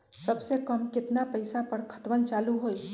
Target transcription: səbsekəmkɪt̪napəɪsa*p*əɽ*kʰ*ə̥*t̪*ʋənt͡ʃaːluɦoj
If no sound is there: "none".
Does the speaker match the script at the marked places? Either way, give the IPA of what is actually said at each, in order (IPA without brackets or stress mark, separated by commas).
p, kʰ, t̪